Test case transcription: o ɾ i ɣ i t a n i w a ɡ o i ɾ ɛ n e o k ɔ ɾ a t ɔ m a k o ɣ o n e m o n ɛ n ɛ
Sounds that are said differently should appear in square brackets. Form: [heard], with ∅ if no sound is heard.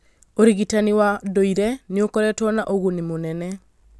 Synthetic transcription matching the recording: o ɾ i ɣ i t a n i w a [d] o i ɾ ɛ n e o k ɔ ɾ [ɛ] t ɔ [n] a [ʔ] o ɣ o n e m o n ɛ n ɛ